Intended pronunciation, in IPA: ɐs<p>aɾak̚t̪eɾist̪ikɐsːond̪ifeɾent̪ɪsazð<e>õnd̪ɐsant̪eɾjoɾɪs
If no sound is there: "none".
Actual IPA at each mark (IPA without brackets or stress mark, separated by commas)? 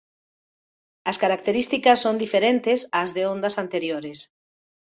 k, e